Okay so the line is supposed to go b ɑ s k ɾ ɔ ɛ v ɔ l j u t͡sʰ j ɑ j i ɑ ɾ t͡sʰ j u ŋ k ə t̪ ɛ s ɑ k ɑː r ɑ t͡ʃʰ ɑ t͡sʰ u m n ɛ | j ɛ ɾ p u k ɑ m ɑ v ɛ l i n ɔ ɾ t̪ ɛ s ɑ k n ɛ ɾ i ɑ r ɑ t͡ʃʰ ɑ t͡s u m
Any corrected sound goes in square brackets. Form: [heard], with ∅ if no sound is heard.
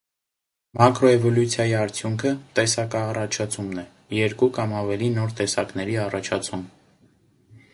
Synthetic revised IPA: [m] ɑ [∅] k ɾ ɔ ɛ v ɔ l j u t͡sʰ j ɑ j i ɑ ɾ t͡sʰ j u ŋ [kʰ] ə t̪ ɛ s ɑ k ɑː r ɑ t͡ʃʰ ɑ t͡sʰ u m n ɛ | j ɛ ɾ [k] u k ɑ m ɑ v ɛ l i n ɔ ɾ t̪ ɛ s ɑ k n ɛ ɾ i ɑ r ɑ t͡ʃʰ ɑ [t͡sʰ] u m

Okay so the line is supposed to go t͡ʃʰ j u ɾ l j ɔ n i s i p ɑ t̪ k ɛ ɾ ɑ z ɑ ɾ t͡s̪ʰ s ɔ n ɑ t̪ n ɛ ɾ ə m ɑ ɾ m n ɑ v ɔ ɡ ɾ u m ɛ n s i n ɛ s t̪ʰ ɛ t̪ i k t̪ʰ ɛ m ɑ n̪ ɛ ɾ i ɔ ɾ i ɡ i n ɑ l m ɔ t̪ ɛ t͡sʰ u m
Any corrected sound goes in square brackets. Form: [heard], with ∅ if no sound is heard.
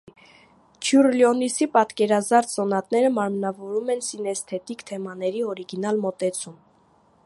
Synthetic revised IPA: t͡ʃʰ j u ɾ l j ɔ n i s i p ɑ t̪ k ɛ ɾ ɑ z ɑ ɾ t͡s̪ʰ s ɔ n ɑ t̪ n ɛ ɾ ə m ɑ ɾ m n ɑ v ɔ [∅] ɾ u m ɛ n s i n ɛ s t̪ʰ ɛ t̪ i k t̪ʰ ɛ m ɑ n̪ ɛ ɾ i ɔ ɾ i ɡ i n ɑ l m ɔ t̪ ɛ t͡sʰ u m

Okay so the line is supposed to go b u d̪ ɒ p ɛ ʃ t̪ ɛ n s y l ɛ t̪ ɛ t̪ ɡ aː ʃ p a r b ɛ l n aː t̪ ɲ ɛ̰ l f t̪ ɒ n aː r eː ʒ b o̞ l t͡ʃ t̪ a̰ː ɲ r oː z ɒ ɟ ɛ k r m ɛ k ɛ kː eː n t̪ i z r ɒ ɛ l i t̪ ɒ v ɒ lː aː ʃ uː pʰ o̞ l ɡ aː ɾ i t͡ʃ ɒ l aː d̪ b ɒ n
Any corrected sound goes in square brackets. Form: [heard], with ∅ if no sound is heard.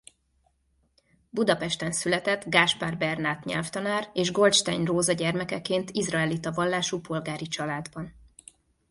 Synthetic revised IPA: b u d̪ ɒ p ɛ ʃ t̪ ɛ n s y l ɛ t̪ ɛ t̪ ɡ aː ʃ p a r b ɛ [r] n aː t̪ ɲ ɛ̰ l f t̪ ɒ n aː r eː ʒ [ɡ] o̞ l t͡ʃ t̪ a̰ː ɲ r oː z ɒ ɟ ɛ [∅] r m ɛ k ɛ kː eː n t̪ i z r ɒ ɛ l i t̪ ɒ v ɒ lː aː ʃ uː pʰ o̞ l ɡ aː ɾ i t͡ʃ ɒ l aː d̪ b ɒ n

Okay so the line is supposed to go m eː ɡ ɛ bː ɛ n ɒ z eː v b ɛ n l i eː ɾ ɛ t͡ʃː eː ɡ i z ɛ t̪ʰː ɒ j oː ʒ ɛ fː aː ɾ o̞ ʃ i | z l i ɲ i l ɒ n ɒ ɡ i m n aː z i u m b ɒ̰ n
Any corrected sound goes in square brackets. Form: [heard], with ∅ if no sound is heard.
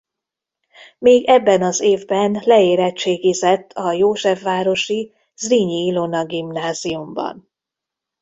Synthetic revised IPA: m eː ɡ ɛ bː ɛ n ɒ z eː v b ɛ n l [ɛ] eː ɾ ɛ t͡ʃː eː ɡ i z ɛ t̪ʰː ɒ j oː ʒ ɛ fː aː ɾ o̞ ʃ i | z [r] i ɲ i l [o] n ɒ ɡ i m n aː z i u m b ɒ̰ n

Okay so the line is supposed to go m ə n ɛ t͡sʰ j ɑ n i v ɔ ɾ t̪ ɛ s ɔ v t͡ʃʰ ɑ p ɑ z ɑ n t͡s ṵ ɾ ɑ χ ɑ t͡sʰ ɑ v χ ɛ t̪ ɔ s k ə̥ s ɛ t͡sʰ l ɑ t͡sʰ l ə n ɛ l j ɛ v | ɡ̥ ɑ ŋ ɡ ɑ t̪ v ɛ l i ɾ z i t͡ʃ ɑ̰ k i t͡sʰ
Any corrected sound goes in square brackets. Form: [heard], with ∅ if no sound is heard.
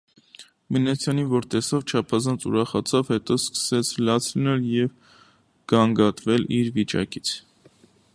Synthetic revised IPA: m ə n ɛ t͡sʰ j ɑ n i v ɔ ɾ t̪ ɛ s ɔ v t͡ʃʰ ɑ [pʰ] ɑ z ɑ n t͡s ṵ ɾ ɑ χ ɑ t͡sʰ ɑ v [h] ɛ t̪ ɔ s k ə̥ s ɛ t͡sʰ l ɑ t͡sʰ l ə n ɛ l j ɛ v | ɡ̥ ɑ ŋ ɡ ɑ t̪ v ɛ l i ɾ [v] i t͡ʃ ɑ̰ k i t͡sʰ

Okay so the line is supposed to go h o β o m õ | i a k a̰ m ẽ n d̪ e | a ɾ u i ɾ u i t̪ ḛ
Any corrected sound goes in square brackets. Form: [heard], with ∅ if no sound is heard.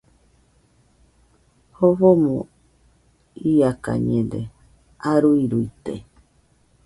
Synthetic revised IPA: h o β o m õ | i a k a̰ [ɲ] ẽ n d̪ e | a ɾ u i ɾ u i t̪ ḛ

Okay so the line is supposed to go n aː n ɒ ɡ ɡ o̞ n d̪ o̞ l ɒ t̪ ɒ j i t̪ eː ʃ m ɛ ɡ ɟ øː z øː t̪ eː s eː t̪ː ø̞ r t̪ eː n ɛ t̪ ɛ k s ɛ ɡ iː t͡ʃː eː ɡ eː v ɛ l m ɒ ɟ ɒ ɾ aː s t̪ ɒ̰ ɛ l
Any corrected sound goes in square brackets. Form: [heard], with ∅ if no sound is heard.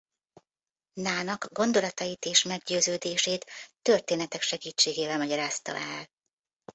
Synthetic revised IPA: n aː n ɒ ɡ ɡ o̞ n d̪ o̞ l ɒ t̪ ɒ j i t̪ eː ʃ m ɛ ɡ ɟ øː z øː [d̪] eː [ʃ] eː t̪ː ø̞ r t̪ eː n ɛ t̪ ɛ k [ʃ] ɛ ɡ iː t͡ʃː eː ɡ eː v ɛ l m ɒ ɟ ɒ ɾ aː s t̪ ɒ̰ ɛ l

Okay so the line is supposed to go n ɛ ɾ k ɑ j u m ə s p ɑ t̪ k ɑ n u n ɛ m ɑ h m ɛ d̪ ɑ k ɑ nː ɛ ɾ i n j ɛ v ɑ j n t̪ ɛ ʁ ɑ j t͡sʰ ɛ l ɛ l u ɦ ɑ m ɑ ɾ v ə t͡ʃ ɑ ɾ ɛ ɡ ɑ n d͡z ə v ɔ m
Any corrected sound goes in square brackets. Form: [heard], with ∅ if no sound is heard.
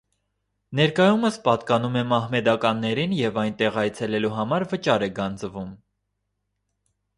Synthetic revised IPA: n ɛ ɾ k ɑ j u m ə s p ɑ t̪ k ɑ n u [m] ɛ m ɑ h m ɛ d̪ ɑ k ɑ nː ɛ ɾ i n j ɛ v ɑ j n t̪ ɛ ʁ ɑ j t͡sʰ ɛ l ɛ l u ɦ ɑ m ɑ ɾ v ə t͡ʃ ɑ ɾ ɛ ɡ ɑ n d͡z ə v [u] m

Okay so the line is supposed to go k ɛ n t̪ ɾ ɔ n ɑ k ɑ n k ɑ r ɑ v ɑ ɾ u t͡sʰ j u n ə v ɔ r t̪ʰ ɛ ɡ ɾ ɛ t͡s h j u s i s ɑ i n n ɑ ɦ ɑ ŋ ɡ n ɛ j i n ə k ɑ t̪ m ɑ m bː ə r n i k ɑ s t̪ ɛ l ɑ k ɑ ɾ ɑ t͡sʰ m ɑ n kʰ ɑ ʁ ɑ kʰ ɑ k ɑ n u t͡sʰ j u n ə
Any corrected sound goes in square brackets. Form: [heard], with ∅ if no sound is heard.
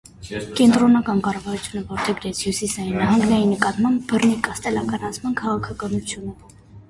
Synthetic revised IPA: k ɛ n t̪ ɾ ɔ n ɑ k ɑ n k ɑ r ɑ v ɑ ɾ u t͡sʰ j u n ə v ɔ [ɾ] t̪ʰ ɛ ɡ ɾ ɛ [t͡sʰ] h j u s i s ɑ i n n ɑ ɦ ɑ ŋ ɡ n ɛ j i n ə k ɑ t̪ m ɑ m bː ə r n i k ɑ s t̪ ɛ l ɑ k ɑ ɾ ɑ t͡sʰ m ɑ n kʰ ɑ ʁ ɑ kʰ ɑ k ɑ n u t͡sʰ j u n ə

